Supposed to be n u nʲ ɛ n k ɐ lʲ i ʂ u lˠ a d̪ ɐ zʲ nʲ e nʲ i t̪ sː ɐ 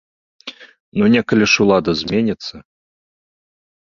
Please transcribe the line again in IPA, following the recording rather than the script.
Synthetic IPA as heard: n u nʲ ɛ k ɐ lʲ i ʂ u lˠ a d̪ ɐ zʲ mʲ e nʲ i t̪ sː ɐ